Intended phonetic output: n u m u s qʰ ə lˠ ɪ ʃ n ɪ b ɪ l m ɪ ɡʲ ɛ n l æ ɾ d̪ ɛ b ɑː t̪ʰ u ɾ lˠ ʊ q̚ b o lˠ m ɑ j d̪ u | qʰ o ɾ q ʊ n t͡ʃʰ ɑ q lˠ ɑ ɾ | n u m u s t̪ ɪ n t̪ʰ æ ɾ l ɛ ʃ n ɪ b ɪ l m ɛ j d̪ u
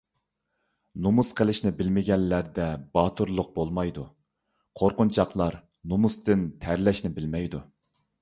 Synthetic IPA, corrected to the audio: n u m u s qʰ ə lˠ ɪ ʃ n ɪ b ɪ l m ɪ ɡʲ ɛ n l æ ɾ d̪ ɛ b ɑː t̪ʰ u ɾ lˠ ʊ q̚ b o lˠ m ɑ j d̪ u | qʰ o ɾ q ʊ n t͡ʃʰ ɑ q lˠ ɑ ɾ | n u m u s t̪ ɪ n t̪ʰ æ ɾ l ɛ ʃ n ɪ b ɪ l m ɛ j d̪ u